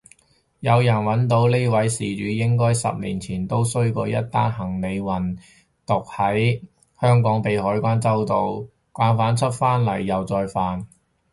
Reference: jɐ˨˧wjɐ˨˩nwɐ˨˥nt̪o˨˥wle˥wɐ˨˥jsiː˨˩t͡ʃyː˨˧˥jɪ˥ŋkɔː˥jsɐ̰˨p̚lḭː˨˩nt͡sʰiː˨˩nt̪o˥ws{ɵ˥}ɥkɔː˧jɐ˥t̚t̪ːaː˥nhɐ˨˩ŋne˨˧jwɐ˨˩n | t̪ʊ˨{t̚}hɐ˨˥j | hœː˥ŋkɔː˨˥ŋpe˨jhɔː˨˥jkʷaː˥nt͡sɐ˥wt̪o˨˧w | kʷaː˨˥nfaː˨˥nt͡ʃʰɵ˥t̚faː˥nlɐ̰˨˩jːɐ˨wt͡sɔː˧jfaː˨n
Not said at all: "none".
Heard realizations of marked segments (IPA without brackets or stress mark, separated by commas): ɵ˥, k̚